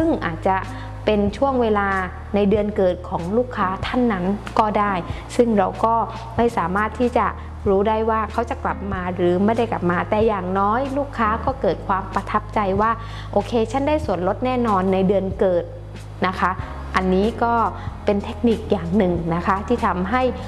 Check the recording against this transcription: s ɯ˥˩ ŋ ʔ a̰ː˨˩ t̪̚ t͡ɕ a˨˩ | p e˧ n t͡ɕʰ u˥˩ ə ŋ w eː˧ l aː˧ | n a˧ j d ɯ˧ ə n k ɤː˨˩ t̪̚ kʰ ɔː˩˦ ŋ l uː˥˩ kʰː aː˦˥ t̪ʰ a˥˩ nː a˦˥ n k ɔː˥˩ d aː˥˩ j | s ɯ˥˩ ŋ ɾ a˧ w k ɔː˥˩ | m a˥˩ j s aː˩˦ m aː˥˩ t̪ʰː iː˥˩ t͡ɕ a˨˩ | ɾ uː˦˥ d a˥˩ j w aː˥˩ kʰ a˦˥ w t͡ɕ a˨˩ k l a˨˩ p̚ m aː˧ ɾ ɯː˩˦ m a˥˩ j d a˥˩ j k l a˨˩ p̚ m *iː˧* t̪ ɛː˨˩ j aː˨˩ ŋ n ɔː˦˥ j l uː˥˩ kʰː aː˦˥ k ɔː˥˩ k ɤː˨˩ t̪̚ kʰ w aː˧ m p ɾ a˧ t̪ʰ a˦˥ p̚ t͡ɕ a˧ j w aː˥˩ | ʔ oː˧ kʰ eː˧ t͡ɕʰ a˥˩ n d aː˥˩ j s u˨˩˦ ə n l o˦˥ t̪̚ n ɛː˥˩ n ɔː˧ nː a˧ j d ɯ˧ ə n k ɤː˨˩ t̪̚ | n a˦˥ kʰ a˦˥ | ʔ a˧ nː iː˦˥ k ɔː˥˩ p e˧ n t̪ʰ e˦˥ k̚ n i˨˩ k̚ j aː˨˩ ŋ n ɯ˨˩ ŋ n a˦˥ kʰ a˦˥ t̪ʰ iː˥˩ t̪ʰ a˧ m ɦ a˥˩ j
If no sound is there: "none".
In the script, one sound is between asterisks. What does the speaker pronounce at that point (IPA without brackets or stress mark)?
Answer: aː˧